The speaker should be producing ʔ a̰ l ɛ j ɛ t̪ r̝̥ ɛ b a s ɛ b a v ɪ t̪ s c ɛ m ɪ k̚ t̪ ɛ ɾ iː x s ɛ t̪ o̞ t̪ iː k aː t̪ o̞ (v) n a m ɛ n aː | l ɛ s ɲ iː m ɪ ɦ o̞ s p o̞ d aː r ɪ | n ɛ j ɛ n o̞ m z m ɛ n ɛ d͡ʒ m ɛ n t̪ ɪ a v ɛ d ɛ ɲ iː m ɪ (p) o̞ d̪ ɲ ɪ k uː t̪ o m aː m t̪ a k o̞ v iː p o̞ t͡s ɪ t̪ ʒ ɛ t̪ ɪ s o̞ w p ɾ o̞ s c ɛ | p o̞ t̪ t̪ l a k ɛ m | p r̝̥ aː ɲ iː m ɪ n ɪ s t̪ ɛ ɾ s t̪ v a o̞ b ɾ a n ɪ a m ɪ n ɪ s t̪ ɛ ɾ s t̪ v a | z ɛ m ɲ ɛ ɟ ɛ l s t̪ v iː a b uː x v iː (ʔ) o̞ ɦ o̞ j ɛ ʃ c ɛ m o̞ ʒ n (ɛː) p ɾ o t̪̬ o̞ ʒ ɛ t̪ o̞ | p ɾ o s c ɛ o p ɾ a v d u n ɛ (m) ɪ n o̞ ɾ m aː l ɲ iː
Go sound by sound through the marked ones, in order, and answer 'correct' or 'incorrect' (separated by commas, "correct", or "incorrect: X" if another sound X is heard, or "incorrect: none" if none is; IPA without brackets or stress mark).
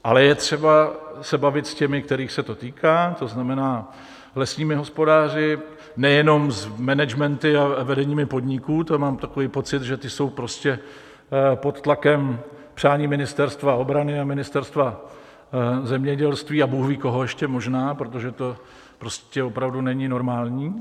incorrect: z, correct, incorrect: k, incorrect: aː, incorrect: ɲ